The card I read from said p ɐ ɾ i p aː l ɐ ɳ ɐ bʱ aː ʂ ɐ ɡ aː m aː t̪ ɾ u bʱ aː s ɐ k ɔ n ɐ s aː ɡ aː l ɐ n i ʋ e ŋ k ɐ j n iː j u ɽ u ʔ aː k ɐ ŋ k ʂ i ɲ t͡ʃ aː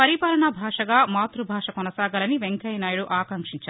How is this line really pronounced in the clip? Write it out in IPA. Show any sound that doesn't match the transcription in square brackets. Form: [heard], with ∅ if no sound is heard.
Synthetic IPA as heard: p ɐ ɾ i p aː l ɐ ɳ ɐ bʱ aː ʂ ɐ ɡ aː m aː t̪ ɾ u bʱ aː [ʂ] ɐ k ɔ n ɐ s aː ɡ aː l ɐ n i ʋ e ŋ k ɐ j n [aː] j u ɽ u ʔ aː k ɐ ŋ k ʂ i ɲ t͡ʃ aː